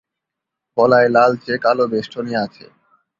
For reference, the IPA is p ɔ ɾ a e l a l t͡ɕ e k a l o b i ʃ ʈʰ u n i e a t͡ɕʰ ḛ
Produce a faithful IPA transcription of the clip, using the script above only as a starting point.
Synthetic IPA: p ɔ l a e l a l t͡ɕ e k a l o b e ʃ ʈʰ o n i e a t͡ɕʰ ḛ